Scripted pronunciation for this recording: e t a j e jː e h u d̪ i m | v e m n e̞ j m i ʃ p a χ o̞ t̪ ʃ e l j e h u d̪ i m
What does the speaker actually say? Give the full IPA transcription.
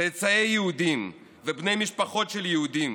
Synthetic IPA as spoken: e t͡s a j e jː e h u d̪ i m | v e b n e̞ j m i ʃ p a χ o̞ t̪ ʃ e l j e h u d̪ i m